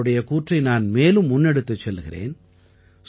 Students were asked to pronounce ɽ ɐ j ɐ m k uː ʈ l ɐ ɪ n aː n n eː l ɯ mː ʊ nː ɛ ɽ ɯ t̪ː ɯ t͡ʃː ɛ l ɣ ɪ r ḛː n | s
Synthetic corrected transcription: ɽ ɐ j ɐ k uː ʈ r ɐ ɪ n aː n m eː l ɯ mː ʊ nː ɛ ɽ ɯ t̪ː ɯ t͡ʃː ɛ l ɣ ɪ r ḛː n | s